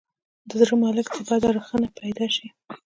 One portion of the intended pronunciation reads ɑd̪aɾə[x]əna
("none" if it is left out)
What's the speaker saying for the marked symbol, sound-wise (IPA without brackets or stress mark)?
x